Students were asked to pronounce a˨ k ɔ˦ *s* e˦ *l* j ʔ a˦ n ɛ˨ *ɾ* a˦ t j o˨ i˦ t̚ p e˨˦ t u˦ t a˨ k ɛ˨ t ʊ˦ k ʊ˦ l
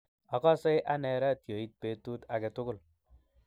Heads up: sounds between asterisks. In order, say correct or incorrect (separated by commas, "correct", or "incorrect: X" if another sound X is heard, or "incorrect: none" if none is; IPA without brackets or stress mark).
correct, incorrect: none, correct